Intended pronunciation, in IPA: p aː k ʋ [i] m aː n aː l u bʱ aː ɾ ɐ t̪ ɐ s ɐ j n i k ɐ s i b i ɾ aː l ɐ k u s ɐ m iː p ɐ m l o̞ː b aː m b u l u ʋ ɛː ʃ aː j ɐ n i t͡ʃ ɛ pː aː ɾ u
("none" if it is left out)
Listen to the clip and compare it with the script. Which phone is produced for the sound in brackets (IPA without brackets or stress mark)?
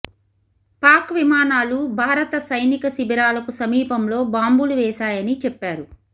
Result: i